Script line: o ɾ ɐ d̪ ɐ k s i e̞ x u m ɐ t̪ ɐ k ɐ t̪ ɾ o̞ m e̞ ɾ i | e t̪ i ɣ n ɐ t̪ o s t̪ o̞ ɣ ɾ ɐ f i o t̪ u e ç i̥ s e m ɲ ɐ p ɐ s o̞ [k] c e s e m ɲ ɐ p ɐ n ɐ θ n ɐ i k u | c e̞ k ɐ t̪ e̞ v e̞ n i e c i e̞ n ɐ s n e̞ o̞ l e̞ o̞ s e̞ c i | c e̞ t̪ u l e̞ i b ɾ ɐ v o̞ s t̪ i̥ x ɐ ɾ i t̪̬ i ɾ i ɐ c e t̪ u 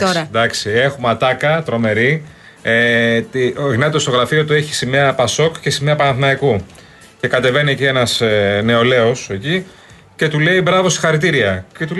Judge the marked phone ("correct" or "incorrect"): correct